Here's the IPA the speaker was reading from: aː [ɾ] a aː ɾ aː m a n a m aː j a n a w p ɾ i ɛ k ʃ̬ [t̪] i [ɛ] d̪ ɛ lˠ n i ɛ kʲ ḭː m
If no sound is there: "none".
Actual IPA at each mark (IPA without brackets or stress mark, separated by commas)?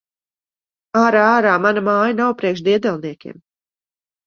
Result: ɾ, d̪, ɛ